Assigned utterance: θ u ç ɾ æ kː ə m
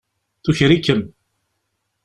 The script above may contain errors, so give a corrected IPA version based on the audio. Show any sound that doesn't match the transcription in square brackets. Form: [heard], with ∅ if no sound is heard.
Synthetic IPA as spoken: θ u ç ɾ [i] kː ə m